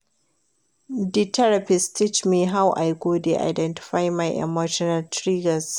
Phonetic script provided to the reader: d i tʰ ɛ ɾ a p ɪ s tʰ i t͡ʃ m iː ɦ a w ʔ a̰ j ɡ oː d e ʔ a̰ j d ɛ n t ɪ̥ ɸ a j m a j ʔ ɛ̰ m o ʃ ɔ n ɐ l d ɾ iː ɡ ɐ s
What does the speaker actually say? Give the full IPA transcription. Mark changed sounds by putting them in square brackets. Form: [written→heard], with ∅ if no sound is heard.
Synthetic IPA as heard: d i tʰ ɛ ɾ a p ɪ s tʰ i t͡ʃ m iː ɦ a w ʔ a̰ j ɡ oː d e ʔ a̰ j d ɛ n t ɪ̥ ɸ a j m a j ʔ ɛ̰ m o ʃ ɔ n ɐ l [d→t] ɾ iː ɡ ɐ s